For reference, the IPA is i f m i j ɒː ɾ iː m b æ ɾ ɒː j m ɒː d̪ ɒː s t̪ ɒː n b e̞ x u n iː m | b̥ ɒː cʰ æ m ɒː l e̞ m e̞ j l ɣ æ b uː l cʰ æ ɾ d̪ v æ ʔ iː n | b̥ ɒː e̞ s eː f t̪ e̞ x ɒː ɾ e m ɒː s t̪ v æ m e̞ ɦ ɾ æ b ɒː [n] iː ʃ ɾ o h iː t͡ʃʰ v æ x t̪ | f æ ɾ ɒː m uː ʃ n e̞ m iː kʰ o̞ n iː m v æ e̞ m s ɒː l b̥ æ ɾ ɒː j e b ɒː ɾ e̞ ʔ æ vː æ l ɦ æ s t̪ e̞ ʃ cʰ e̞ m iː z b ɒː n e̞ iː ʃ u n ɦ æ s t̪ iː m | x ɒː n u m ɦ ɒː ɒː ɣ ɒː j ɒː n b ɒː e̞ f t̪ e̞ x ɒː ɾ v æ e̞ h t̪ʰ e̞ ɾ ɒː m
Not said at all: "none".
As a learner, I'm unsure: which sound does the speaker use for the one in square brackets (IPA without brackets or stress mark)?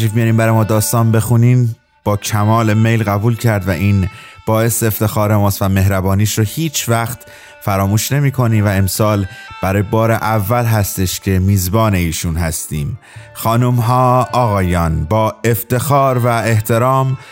n